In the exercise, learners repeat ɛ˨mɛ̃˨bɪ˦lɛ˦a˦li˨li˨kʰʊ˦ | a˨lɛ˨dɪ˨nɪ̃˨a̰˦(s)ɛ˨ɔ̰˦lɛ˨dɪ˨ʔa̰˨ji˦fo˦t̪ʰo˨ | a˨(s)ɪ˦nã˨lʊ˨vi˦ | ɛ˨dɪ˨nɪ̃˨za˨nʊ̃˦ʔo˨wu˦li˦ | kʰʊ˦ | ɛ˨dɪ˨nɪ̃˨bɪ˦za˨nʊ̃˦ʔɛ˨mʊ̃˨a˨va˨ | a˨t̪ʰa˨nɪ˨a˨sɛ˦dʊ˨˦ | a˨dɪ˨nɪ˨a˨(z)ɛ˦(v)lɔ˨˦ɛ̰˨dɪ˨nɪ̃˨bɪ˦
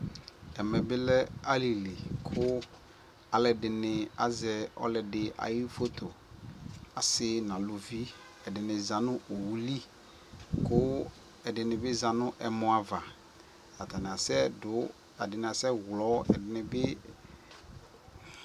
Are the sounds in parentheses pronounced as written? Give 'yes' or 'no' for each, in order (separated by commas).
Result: no, yes, no, no